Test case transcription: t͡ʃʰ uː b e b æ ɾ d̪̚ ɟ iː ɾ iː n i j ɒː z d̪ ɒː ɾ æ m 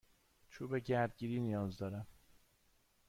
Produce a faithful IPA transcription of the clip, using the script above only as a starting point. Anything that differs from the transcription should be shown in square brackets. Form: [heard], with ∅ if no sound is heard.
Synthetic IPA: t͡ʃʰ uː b e [ɟ] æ ɾ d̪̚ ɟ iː ɾ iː n i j ɒː z d̪ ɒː ɾ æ m